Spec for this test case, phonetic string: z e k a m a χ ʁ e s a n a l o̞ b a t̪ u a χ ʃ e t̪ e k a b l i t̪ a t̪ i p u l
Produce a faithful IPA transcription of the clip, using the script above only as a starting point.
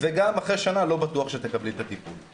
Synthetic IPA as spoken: v e ɡ a m a χ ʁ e ʃ a n a l o̞ b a t̪ u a χ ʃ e t̪ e k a b l i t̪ a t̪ i p u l